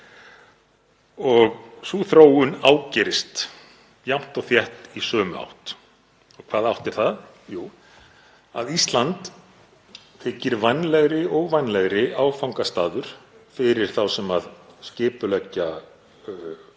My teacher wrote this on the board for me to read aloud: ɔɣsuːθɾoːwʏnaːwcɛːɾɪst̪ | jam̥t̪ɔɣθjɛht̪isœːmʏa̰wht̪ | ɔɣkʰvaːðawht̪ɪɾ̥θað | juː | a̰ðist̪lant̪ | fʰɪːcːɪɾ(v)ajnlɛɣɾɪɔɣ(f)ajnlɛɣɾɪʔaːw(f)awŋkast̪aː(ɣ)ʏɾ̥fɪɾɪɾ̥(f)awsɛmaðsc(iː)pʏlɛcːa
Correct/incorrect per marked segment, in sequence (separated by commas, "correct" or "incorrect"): correct, incorrect, correct, incorrect, incorrect, incorrect